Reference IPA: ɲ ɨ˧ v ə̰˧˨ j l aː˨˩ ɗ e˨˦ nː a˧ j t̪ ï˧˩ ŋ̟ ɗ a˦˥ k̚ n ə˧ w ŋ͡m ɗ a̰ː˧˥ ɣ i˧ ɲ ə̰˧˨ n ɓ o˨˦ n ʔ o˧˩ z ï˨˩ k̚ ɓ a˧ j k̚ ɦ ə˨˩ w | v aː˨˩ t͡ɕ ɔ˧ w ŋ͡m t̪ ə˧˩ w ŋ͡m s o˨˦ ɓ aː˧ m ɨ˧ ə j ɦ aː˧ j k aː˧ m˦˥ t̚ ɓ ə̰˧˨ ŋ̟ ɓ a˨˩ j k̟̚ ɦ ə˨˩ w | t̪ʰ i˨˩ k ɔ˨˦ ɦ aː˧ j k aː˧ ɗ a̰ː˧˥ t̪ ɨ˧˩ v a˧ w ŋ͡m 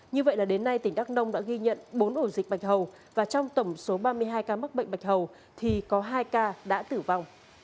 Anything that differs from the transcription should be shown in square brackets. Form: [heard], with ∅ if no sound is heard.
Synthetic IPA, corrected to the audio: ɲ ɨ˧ v ə̰˧˨ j l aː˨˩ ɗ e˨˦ nː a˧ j t̪ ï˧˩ ŋ̟ ɗ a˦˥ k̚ n ə˧ w ŋ͡m ɗ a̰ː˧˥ ɣ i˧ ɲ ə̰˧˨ n ɓ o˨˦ n ʔ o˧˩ z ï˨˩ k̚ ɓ [a˨˩] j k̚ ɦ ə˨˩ w | v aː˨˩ t͡ɕ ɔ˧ w ŋ͡m t̪ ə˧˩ w ŋ͡m s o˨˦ ɓ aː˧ m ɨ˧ ə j ɦ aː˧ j k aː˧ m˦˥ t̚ ɓ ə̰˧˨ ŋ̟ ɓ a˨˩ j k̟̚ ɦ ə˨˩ w | t̪ʰ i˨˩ k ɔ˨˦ ɦ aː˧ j k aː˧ ɗ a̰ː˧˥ t̪ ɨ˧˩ v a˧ w ŋ͡m